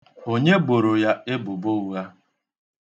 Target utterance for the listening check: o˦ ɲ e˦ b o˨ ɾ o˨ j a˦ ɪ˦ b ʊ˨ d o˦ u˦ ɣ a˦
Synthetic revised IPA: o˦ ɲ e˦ b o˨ ɾ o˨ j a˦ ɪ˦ b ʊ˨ b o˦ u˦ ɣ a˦